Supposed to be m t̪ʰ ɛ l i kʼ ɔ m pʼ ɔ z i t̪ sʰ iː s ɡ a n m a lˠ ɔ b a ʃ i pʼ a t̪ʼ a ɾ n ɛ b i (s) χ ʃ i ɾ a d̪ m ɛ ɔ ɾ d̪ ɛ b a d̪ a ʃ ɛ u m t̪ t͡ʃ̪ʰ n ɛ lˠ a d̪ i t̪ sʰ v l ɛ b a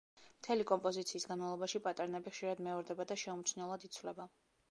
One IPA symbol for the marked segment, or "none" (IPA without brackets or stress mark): none